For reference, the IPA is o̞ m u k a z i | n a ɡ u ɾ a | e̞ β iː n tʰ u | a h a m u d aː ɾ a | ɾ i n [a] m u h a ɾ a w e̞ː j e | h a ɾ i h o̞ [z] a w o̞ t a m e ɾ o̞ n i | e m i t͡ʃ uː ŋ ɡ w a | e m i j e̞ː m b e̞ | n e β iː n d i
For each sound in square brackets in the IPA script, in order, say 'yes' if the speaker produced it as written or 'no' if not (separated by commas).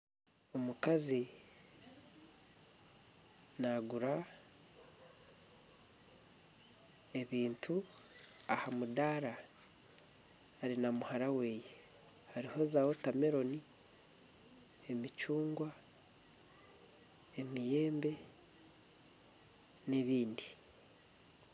yes, yes